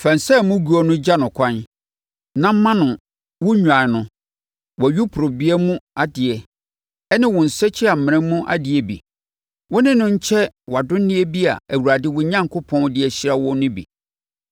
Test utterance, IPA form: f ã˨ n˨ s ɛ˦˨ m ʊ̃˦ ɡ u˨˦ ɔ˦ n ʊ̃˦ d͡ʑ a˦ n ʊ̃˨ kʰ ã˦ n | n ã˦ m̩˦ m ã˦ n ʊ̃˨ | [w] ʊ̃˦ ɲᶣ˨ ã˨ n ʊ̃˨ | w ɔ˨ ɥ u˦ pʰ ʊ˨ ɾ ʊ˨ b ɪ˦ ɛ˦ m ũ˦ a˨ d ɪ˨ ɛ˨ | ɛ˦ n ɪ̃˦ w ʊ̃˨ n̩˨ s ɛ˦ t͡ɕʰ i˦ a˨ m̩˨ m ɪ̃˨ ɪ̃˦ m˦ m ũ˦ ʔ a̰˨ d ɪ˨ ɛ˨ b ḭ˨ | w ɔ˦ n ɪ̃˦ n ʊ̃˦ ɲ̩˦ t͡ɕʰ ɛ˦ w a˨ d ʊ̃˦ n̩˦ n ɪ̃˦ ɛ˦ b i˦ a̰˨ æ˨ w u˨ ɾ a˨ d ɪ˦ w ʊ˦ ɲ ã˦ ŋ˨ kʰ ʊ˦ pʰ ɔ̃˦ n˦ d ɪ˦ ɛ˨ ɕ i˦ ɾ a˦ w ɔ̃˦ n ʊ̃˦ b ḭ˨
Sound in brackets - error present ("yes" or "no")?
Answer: no